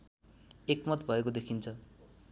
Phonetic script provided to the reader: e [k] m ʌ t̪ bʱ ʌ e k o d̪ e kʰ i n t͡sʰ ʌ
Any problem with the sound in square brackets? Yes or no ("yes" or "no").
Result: no